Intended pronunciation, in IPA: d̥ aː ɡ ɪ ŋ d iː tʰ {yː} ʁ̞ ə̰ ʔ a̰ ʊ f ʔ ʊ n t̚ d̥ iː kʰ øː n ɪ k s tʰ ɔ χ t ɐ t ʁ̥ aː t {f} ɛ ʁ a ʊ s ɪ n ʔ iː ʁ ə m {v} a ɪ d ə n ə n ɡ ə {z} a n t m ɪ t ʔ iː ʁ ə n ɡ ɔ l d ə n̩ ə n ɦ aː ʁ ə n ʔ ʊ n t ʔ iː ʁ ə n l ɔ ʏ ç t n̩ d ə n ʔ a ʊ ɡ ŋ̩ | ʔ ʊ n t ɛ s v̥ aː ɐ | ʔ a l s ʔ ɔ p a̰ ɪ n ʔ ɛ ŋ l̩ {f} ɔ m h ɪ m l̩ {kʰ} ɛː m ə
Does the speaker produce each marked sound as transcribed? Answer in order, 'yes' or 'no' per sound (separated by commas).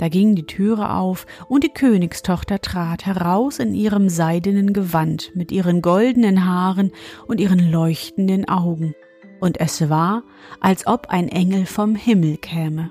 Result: yes, no, no, no, yes, yes